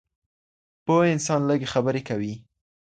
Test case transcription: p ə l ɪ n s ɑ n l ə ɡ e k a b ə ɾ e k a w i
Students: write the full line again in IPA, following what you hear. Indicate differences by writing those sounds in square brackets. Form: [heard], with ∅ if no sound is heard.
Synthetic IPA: p ə [∅] ɪ n s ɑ n l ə ɡ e [x] a b ə ɾ e k a w i